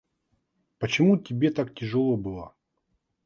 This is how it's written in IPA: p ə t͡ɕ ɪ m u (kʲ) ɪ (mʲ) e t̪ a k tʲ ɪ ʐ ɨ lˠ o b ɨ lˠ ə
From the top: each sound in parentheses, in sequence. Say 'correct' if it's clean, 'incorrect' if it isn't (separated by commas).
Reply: incorrect, incorrect